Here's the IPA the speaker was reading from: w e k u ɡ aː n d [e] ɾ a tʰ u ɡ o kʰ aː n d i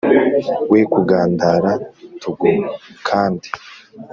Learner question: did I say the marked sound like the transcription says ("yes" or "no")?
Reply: no